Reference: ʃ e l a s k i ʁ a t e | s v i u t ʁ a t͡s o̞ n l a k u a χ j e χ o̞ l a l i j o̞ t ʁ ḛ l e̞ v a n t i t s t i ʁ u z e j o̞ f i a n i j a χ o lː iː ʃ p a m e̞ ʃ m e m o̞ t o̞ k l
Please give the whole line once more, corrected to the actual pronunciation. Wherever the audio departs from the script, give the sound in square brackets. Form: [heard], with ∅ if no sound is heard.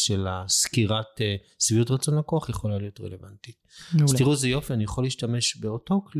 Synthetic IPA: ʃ e l a s k i ʁ a t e | s v i u t ʁ a t͡s o̞ n l a k [o] a χ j e χ o̞ l a l i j o̞ t ʁ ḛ l e̞ v a n t i t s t i ʁ u z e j o̞ f i a n i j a χ o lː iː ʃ [t] a m e̞ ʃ [b] e [∅] o̞ t o̞ k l